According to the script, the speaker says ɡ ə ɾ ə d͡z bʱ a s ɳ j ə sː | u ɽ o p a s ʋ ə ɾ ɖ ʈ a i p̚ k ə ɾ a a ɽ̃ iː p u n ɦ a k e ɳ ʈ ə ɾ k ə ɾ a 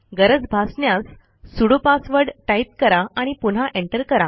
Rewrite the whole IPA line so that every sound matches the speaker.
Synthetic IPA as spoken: ɡ ə ɾ ə d͡z bʱ a s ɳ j a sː | u ɽ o p a s ʋ ə ɾ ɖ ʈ a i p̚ k ə ɾ a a ɽ̃ i p u n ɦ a ʔ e ɳ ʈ ə ɾ k ə ɾ a